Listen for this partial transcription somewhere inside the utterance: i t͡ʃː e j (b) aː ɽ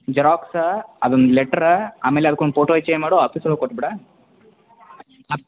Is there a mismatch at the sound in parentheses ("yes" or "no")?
yes